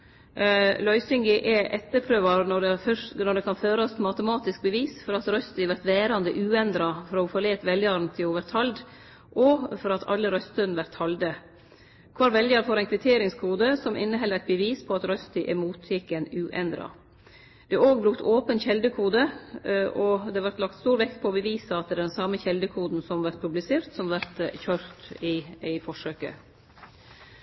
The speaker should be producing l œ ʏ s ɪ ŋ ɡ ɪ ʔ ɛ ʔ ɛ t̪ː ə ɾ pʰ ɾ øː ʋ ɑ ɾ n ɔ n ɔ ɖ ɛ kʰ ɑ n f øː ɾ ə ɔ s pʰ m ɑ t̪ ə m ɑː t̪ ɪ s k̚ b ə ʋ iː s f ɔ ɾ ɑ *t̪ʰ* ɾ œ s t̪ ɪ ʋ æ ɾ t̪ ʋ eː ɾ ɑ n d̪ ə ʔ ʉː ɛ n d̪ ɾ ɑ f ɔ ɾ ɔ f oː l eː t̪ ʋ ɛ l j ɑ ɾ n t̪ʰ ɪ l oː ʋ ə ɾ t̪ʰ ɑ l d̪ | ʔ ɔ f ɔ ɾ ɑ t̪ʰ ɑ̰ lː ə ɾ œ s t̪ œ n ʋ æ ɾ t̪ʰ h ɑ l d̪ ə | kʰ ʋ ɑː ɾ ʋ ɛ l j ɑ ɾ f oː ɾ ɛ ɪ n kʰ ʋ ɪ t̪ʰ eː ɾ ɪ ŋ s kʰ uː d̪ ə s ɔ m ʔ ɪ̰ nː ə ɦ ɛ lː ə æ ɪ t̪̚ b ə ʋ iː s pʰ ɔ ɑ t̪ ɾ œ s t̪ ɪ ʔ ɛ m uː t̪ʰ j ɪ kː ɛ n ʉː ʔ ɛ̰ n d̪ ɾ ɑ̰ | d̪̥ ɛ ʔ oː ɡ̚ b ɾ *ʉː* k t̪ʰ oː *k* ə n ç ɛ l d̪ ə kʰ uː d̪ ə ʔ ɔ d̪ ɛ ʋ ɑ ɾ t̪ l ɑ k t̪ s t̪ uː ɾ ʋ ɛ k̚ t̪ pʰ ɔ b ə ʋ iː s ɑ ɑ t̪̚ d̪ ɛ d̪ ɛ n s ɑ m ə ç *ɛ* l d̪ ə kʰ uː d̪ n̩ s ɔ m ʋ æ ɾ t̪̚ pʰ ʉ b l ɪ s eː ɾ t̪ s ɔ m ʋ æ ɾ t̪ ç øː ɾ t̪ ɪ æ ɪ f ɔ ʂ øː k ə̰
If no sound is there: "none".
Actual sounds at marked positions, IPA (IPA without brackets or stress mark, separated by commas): t̪, ʉ, p, ɛ